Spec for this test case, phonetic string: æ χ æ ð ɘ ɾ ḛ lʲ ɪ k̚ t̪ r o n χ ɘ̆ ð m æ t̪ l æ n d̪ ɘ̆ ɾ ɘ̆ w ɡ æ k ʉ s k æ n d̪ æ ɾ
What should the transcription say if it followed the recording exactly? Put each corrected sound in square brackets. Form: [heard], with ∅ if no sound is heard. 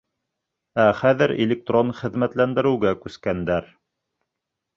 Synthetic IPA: æ χ æ ð ɘ ɾ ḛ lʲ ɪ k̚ t̪ r o n χ ɘ̆ ð m æ t̪ l æ n d̪ ɘ̆ ɾ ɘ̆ w ɡ æ k ʉ s k æ n d̪ æ ɾ

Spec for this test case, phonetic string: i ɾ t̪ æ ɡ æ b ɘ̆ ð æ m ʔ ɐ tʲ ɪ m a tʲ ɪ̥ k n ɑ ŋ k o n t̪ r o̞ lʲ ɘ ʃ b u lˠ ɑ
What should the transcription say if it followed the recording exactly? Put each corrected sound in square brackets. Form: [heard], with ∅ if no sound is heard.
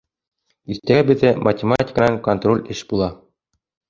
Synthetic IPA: i ɾ t̪ æ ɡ æ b ɘ̆ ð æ m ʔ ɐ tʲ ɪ m a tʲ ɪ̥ k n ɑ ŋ k o n t̪ r o̞ lʲ ɘ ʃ b u lˠ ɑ

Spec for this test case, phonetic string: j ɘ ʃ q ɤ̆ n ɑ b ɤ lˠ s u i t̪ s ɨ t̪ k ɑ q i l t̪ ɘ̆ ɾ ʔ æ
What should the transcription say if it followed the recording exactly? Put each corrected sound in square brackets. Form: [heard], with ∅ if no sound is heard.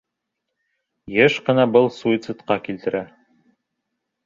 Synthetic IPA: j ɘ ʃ q ɤ̆ n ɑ b ɤ lˠ s u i t̪ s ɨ t̪ [q] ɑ [k] i l t̪ ɘ̆ ɾ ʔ æ

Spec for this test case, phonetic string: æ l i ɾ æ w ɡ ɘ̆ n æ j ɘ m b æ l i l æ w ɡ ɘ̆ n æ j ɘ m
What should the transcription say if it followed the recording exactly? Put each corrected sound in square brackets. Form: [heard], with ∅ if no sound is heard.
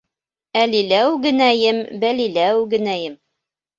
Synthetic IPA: æ l i [l] æ w ɡ ɘ̆ n æ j ɘ m b æ l i l æ w ɡ ɘ̆ n æ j ɘ m

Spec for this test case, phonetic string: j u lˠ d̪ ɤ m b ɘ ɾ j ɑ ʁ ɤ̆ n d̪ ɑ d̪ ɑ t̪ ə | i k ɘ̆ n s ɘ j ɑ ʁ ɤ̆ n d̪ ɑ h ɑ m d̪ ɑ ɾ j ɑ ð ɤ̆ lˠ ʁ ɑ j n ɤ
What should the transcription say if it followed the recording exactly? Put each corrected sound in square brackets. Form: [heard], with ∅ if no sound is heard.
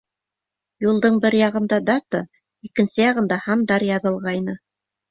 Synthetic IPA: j u lˠ d̪ ɤ [ɴ] b ɘ ɾ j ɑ ʁ ɤ̆ n d̪ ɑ d̪ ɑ t̪ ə | i k ɘ̆ n s ɘ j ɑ ʁ ɤ̆ n d̪ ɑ h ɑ m d̪ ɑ ɾ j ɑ ð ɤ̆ lˠ ʁ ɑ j n ɤ

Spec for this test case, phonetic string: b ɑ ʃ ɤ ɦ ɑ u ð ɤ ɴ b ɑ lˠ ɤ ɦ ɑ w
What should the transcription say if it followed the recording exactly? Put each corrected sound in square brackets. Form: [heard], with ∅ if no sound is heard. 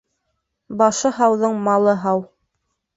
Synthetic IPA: b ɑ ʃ ɤ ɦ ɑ [w] ð ɤ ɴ [m] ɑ lˠ ɤ ɦ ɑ w

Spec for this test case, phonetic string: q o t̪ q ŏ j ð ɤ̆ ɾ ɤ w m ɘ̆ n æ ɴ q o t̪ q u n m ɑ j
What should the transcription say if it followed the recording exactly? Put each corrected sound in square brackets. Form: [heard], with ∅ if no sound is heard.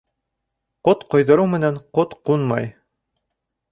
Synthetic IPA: q o t̪ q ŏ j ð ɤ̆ ɾ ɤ w m ɘ̆ n æ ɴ q o t̪ q u n m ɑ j

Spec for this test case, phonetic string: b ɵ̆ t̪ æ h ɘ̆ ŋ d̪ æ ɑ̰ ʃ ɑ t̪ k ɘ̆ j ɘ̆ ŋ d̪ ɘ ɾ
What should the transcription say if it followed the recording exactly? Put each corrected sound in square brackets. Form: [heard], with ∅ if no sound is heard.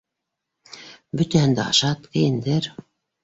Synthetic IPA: b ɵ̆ t̪ æ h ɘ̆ [n] d̪ æ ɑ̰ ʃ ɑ t̪ k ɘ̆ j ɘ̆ [n] d̪ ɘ ɾ

